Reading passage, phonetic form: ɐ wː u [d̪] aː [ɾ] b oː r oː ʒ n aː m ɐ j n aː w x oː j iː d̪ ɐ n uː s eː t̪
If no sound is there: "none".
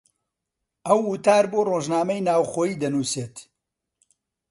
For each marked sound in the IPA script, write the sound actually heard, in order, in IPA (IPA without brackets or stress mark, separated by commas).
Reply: t̪, ɾ